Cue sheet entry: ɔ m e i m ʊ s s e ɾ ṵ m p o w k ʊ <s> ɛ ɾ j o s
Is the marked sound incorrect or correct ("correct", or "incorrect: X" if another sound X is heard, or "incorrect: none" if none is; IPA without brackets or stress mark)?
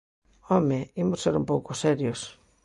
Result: correct